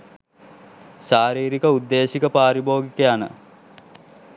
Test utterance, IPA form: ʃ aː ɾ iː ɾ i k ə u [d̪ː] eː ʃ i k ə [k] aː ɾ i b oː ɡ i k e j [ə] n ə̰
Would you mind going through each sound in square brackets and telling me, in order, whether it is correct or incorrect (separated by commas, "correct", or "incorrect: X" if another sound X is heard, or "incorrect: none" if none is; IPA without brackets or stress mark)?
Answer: correct, incorrect: p, incorrect: a